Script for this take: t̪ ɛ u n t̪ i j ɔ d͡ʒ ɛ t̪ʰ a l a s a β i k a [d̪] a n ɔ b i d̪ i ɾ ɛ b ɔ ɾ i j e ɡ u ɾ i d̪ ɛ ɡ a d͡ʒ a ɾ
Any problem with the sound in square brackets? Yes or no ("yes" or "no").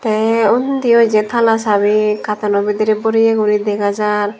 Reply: yes